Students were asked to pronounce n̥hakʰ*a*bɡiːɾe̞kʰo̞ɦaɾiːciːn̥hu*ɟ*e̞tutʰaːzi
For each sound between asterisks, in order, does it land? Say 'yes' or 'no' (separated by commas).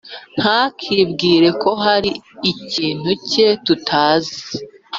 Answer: no, no